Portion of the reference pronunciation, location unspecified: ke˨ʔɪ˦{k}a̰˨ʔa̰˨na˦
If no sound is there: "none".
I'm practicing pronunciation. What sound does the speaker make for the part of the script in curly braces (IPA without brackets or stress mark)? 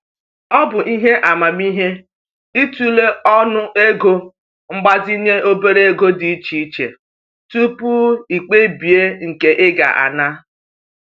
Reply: ɡ